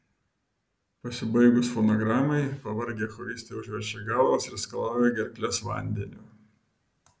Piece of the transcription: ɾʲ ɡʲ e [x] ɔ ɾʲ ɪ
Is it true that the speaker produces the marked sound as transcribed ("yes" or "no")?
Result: yes